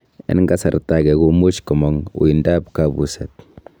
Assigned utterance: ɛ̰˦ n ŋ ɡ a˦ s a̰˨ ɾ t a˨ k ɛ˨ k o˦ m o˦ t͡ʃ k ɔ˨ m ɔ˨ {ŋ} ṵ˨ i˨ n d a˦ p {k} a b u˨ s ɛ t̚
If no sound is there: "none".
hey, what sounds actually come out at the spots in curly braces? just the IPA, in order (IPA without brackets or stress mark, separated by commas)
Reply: ŋ, k